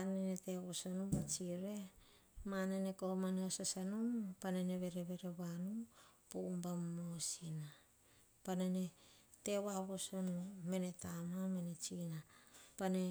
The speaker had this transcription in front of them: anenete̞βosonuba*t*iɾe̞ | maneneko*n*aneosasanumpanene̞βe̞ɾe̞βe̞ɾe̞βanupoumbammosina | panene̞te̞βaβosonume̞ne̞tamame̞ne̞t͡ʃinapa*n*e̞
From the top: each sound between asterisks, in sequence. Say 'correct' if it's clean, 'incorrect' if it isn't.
incorrect, incorrect, correct

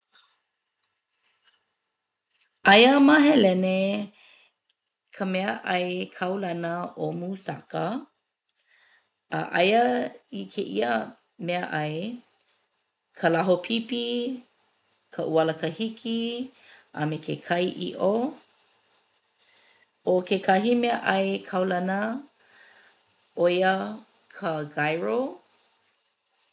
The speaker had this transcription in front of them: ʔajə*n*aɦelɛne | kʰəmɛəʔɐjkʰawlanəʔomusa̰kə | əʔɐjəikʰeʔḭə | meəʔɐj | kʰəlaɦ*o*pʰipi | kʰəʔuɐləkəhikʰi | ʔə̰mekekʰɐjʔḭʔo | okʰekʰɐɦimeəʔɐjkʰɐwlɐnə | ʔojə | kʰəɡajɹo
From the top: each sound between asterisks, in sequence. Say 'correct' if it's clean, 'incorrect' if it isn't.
incorrect, correct

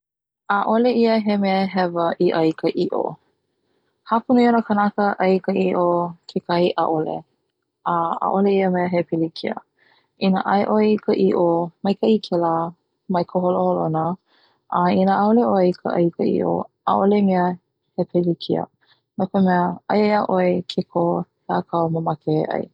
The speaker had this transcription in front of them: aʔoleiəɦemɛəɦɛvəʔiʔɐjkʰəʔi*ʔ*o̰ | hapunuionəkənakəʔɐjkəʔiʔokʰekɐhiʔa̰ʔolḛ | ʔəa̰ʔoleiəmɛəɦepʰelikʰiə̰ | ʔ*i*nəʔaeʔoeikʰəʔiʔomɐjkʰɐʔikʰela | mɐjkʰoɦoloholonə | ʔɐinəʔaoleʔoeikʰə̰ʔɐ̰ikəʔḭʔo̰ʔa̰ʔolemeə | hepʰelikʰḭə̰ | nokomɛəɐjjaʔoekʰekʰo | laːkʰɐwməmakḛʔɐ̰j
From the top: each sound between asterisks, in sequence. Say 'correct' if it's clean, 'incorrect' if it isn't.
correct, correct

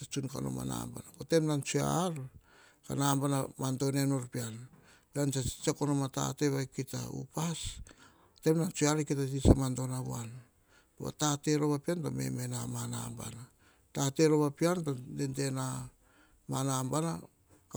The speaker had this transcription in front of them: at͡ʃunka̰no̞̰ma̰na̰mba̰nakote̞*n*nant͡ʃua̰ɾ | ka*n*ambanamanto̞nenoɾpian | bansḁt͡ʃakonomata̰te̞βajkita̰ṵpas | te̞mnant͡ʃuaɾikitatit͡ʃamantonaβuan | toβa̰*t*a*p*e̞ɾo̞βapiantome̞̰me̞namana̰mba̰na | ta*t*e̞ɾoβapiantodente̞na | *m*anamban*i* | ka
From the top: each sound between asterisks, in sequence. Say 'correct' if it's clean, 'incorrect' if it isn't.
incorrect, correct, correct, incorrect, correct, correct, incorrect

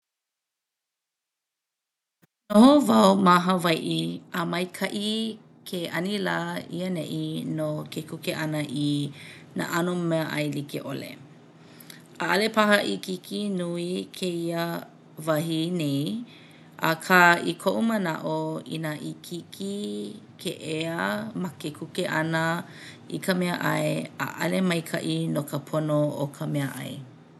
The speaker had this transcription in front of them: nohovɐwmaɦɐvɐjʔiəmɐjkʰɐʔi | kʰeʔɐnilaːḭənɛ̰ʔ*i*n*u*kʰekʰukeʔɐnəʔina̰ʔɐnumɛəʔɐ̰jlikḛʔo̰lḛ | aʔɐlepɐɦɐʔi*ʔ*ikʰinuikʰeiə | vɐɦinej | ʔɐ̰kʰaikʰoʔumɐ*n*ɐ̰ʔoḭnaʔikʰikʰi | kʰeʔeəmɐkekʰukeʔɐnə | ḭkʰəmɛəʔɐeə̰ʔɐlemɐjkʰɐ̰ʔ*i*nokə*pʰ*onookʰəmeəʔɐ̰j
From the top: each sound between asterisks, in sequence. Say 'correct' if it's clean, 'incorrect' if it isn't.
correct, incorrect, incorrect, correct, correct, correct

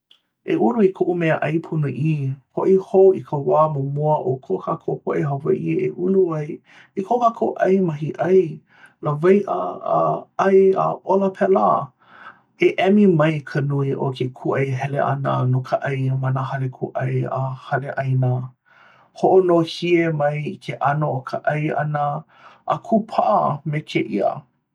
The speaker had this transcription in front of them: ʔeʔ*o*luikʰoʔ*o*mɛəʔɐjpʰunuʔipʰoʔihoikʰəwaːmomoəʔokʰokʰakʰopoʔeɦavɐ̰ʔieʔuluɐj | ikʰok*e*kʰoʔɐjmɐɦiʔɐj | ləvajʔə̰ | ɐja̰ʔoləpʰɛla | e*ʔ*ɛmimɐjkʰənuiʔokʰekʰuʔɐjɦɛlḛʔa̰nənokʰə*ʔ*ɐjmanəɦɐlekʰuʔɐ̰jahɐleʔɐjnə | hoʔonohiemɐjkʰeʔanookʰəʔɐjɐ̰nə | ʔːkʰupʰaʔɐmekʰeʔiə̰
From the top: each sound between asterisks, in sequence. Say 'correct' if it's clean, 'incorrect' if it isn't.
incorrect, incorrect, incorrect, correct, correct

